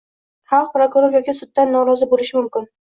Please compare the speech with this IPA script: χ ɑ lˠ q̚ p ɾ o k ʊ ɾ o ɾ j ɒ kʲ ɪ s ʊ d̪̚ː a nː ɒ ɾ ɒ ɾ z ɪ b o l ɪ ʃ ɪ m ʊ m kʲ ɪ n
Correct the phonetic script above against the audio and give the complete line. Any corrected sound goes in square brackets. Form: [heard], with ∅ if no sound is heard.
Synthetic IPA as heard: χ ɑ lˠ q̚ p ɾ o k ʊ ɾ o ɾ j ɒ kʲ ɪ s ʊ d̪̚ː a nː ɒ ɾ ɒ [∅] z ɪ b o l ɪ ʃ ɪ m ʊ m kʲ ɪ n